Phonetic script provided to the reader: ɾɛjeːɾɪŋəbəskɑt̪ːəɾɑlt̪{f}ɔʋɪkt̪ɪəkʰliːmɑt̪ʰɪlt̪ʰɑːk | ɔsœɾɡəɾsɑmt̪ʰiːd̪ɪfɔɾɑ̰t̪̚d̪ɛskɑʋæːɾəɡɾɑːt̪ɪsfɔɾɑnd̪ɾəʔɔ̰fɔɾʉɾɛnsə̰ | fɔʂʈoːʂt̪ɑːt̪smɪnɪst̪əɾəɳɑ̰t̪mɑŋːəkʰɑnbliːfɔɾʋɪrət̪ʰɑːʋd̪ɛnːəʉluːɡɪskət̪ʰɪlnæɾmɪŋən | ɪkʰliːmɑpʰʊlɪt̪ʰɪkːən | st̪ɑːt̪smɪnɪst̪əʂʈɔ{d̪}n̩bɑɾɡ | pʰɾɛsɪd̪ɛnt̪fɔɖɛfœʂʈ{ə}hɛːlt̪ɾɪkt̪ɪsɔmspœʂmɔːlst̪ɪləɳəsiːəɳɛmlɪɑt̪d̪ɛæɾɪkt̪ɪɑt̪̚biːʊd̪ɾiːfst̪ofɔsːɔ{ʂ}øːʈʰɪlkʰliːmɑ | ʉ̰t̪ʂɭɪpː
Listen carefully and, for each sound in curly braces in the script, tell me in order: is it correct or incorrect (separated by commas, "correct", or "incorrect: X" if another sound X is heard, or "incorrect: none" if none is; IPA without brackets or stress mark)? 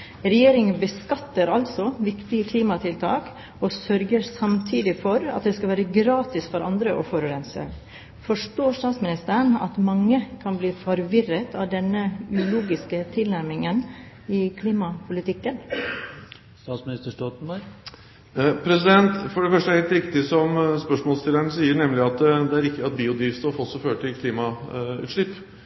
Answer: incorrect: s, incorrect: t̪, correct, incorrect: f